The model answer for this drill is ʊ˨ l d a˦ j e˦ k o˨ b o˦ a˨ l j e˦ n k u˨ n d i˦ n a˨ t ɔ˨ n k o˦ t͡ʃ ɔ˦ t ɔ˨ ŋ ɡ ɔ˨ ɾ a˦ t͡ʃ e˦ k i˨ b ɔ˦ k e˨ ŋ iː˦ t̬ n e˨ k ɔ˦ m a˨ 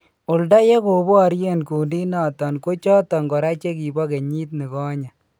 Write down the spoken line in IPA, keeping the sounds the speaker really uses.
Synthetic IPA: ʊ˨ l d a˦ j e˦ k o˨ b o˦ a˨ ɾ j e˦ n k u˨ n d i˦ n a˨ t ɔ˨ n k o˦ t͡ʃ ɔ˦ t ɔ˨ ŋ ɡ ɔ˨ ɾ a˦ t͡ʃ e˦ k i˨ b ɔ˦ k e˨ ɲ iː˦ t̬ n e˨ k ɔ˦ ɲ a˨